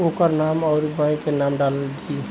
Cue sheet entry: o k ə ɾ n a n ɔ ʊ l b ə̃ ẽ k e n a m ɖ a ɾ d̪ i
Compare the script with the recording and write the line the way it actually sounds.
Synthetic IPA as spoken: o k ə ɾ n a m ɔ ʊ ɾ b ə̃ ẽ k e n a m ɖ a l d̪ i